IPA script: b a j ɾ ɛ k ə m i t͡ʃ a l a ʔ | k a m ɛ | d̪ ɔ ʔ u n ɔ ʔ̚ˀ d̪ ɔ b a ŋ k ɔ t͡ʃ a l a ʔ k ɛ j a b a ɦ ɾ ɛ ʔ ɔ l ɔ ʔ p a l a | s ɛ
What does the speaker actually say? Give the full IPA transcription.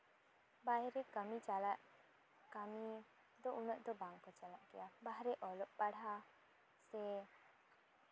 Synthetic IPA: b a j ɾ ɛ k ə m i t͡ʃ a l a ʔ | k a m i | d̪ ɔ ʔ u n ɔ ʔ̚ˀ d̪ ɔ b a ŋ k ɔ t͡ʃ a l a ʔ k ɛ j a b a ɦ ɾ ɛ ʔ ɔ l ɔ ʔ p a ɽ a | s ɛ